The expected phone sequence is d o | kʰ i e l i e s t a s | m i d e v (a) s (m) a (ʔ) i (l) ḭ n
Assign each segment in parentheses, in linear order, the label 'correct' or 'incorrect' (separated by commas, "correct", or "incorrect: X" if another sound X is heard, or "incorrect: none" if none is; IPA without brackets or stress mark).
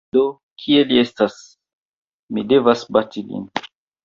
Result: correct, incorrect: b, incorrect: t, correct